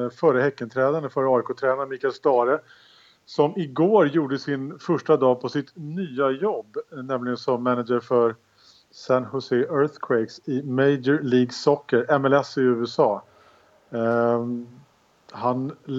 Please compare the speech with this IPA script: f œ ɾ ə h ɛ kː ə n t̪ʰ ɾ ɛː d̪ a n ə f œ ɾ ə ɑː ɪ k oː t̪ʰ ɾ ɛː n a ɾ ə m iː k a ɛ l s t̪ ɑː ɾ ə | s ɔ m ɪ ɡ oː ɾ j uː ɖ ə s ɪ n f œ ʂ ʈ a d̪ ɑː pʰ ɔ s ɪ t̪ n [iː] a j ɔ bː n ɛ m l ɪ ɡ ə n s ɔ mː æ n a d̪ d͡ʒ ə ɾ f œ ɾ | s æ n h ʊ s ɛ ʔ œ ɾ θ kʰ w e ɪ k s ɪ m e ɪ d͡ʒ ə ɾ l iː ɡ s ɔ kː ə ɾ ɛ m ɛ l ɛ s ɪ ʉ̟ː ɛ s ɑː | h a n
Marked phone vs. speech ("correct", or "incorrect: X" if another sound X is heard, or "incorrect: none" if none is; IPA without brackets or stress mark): incorrect: yː